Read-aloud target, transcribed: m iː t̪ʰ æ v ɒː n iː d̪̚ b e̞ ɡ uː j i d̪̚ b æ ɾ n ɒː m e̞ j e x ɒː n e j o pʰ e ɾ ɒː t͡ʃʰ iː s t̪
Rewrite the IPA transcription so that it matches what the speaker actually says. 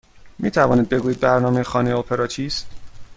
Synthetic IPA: m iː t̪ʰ æ v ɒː n iː d̪̚ b e̞ ɡ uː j i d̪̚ b æ ɾ n ɒː m e̞ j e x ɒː n e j o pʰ e ɾ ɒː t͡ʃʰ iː s t̪